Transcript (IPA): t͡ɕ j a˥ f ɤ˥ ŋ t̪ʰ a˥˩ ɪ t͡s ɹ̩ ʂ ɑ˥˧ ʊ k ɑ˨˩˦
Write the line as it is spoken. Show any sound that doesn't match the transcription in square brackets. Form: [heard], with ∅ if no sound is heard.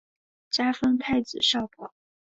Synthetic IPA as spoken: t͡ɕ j a˥ f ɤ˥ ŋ t̪ʰ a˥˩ ɪ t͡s ɹ̩ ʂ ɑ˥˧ ʊ [p] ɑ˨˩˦